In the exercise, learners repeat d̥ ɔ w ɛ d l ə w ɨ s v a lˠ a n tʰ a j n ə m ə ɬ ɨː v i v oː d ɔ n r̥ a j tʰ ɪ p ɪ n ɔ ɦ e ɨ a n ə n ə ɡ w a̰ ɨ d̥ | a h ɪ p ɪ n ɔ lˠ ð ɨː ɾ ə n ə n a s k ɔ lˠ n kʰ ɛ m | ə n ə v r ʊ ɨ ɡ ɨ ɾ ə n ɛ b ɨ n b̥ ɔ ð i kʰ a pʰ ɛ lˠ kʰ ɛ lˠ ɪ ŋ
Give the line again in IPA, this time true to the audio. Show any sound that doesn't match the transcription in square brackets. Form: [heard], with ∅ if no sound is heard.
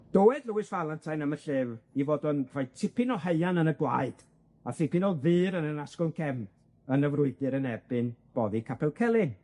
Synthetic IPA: d̥ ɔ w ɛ d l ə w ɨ s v a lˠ a n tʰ a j n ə m ə ɬ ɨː v i v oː d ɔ n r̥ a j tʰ ɪ p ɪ n ɔ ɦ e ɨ a n ə n ə ɡ w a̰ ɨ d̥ | a [θ] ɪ p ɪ n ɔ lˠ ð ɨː ɾ ə n ə n a s k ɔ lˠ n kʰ ɛ m | ə n ə v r ʊ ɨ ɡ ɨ ɾ ə n ɛ b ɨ n b̥ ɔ ð i kʰ a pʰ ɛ lˠ kʰ ɛ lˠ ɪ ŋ